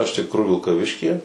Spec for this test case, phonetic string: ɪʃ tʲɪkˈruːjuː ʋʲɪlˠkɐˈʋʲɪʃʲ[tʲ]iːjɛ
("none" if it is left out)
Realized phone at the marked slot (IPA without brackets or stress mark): kʲ